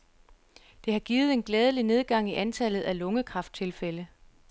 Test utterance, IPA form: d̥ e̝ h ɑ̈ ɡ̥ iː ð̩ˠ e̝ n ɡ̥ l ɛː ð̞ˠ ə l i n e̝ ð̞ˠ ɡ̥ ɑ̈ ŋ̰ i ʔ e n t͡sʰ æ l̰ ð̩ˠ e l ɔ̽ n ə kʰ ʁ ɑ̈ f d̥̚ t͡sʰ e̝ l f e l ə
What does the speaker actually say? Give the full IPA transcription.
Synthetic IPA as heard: d̥ e̝ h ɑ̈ ɡ̥ iː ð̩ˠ e̝ n ɡ̥ l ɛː ð̞ˠ ə l i n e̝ ð̞ˠ ɡ̥ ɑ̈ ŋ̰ i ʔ æ n t͡sʰ æ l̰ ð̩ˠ æ l ɔ̽ ŋ ə kʰ ʁ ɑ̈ f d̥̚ t͡sʰ e̝ l f e l ə